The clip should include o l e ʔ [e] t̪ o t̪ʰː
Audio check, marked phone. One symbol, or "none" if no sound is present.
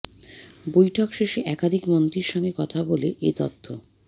e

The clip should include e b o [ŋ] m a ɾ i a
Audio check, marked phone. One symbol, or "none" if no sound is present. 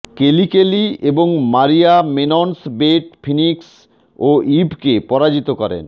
ŋ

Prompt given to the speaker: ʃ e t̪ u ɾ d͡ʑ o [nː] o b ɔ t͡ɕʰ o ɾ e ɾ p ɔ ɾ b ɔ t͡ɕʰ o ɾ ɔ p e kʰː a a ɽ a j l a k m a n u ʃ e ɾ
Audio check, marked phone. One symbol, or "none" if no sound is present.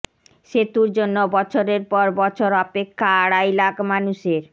nː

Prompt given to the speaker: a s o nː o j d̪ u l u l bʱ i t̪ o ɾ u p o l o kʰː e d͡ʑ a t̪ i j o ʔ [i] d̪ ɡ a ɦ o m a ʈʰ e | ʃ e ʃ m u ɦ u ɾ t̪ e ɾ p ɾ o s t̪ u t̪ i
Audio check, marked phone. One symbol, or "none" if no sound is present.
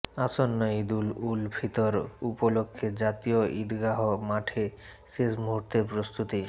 i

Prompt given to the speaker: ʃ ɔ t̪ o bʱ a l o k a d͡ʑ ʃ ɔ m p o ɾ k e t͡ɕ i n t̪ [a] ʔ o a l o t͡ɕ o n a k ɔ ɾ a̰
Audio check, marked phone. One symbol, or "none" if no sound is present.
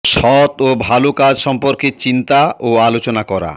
a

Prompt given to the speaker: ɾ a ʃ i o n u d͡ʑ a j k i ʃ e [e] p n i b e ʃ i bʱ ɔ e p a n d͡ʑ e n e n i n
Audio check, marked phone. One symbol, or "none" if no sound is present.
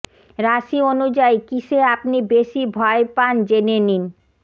a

